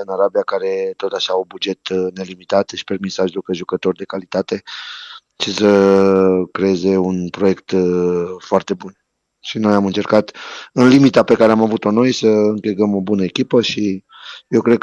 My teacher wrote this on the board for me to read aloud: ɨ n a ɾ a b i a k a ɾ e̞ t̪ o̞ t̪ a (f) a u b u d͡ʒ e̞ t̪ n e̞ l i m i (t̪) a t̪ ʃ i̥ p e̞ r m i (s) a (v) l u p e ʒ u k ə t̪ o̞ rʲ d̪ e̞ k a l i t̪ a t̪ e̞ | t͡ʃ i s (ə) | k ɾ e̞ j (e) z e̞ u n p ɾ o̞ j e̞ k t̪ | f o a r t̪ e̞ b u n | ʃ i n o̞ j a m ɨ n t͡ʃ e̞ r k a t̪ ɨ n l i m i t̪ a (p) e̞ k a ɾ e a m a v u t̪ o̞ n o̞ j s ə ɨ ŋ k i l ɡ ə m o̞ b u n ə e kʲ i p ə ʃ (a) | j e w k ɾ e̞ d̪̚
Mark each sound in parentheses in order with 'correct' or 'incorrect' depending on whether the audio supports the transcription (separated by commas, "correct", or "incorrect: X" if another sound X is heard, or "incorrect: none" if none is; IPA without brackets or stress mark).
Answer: incorrect: ʃ, correct, correct, incorrect: ʒ, correct, correct, correct, incorrect: i